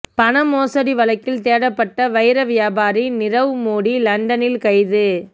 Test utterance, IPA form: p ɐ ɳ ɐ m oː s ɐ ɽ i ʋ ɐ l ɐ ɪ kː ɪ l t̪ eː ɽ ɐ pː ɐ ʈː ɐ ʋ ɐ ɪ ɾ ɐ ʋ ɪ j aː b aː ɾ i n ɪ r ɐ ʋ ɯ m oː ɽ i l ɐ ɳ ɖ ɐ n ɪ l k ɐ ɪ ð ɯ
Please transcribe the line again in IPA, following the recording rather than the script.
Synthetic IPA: p ɐ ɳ ɐ m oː s ɐ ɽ i ʋ ɐ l ɐ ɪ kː ɪ l t̪ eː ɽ ɐ pː ɐ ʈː ɐ ʋ ɐ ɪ ɾ ɐ ʋ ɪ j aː b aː ɾ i n ɪ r ɐ ʋ ɯ m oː ɽ i l ɐ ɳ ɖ ɐ n ɪ l k ɐ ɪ ð ɯ